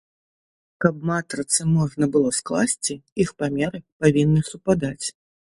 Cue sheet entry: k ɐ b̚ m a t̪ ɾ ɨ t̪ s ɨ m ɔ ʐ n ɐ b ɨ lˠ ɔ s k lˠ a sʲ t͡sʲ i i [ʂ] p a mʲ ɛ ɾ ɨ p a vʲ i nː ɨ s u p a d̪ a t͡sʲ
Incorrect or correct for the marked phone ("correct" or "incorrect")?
incorrect